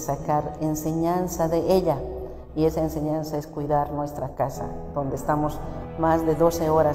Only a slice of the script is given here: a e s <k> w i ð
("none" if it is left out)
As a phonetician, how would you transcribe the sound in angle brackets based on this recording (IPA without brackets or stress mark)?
k